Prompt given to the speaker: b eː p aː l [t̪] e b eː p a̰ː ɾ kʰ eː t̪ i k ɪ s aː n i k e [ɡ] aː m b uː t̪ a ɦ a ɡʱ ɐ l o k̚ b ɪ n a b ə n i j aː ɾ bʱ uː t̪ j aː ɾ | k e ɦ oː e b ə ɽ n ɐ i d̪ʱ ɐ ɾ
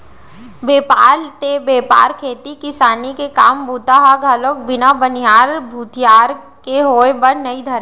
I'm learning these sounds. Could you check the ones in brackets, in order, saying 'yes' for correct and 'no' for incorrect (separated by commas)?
yes, no